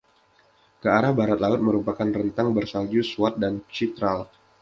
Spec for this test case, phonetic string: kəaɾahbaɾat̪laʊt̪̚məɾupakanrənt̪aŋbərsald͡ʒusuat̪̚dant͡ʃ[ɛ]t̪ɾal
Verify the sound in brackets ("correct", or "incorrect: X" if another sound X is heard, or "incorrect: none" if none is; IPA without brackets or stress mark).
incorrect: i